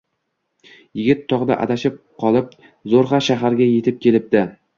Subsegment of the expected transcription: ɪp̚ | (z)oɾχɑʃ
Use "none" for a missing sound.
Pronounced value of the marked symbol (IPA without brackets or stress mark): z